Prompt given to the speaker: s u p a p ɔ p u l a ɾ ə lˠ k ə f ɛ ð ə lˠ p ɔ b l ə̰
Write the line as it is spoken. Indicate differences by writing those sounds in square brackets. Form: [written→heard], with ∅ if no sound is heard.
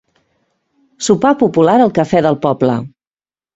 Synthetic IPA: s u p a p [ɔ→u] p u l a ɾ ə lˠ k ə f ɛ ð ə lˠ p ɔ b l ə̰